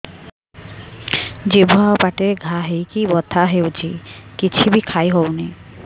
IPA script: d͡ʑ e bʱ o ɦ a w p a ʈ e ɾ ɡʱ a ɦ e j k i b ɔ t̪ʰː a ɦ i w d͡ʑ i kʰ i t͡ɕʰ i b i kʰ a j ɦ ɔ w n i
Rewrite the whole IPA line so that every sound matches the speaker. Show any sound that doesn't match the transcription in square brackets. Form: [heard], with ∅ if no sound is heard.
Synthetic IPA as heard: d͡ʑ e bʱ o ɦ a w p a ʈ e ɾ ɡʱ a ɦ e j k i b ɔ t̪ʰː a ɦ [e] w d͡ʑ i [k] i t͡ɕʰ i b i kʰ a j ɦ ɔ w n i